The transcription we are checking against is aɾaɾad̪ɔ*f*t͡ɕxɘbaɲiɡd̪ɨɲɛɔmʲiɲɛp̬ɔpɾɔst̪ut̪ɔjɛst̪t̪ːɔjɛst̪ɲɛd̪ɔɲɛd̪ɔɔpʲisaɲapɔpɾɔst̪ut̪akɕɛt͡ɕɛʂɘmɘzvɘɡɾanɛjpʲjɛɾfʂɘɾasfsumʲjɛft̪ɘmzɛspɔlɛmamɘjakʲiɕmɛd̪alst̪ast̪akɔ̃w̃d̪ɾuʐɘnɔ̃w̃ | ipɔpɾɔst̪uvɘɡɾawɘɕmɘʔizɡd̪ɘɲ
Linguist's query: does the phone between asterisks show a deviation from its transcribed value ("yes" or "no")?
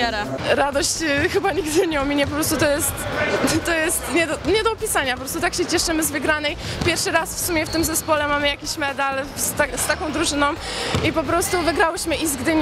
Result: yes